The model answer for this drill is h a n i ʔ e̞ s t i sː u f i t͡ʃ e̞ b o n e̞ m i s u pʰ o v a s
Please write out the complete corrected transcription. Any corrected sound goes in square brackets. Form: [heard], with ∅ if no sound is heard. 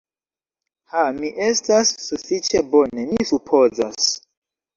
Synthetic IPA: h a [m] i ʔ e̞ s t [a] sː u f i t͡ʃ e̞ b o n e̞ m i s u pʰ o [z] a s